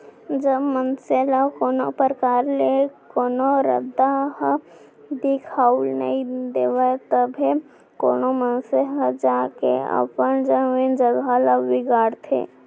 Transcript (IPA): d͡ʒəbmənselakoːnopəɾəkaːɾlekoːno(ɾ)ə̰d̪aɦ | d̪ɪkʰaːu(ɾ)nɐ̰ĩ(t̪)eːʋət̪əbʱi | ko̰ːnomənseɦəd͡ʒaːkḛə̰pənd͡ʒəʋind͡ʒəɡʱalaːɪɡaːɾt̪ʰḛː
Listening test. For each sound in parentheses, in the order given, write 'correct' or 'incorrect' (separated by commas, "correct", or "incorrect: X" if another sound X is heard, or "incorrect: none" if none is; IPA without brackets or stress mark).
correct, incorrect: l, incorrect: d̪